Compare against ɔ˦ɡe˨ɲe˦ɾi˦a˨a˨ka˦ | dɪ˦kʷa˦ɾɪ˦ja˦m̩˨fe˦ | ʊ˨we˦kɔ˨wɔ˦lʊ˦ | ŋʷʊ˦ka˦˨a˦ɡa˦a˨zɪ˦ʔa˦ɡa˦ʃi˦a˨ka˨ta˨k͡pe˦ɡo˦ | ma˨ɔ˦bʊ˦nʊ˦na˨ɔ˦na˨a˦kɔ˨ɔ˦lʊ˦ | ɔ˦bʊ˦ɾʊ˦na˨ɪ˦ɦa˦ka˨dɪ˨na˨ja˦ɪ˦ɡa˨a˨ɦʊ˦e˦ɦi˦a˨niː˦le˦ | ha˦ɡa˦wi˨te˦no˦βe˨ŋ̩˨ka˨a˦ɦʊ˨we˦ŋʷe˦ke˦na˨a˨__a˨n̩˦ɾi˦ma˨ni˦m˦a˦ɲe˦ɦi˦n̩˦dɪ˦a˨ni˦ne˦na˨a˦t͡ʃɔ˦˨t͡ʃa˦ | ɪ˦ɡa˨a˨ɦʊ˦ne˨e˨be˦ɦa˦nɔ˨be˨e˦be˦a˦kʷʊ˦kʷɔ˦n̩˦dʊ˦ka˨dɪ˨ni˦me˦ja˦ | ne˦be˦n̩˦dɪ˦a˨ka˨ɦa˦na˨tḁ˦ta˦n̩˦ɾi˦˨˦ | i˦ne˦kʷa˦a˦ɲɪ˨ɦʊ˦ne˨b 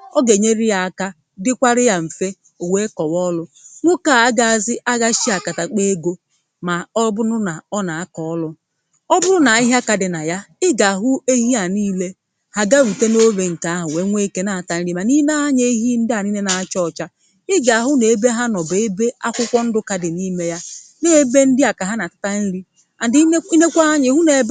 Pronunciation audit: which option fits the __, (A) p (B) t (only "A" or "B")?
B